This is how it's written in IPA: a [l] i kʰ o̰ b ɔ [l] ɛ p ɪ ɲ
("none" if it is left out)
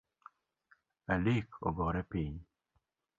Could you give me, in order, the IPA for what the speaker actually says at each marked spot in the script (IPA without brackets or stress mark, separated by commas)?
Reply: l, ɾ